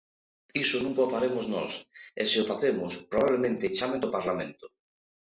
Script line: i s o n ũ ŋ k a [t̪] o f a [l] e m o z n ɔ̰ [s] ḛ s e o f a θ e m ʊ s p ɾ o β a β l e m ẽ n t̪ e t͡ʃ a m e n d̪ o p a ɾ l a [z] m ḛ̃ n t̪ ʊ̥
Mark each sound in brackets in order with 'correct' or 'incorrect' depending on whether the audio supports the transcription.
incorrect, incorrect, correct, incorrect

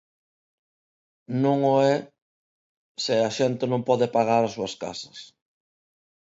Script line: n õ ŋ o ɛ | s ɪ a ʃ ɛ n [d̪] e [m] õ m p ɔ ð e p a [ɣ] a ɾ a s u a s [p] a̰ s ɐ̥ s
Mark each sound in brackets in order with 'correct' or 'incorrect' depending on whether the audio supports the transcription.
incorrect, incorrect, correct, incorrect

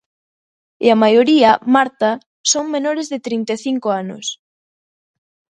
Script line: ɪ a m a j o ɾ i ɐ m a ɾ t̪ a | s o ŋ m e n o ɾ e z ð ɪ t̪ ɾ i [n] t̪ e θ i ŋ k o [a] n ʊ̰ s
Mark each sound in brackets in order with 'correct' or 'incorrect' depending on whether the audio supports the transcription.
correct, correct

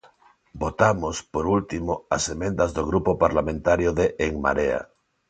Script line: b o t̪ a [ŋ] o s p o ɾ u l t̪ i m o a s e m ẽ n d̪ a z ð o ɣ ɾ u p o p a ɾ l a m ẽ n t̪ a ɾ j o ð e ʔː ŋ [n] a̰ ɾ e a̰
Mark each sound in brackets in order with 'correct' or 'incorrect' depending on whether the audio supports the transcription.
incorrect, incorrect

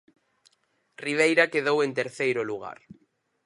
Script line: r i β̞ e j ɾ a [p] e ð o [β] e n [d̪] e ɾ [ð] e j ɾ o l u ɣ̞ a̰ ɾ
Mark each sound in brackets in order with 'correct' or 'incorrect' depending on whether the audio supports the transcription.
incorrect, incorrect, incorrect, incorrect

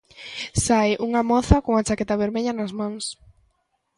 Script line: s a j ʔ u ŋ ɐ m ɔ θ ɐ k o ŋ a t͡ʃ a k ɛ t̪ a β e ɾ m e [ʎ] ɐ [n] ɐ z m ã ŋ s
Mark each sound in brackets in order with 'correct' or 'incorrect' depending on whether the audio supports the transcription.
correct, correct

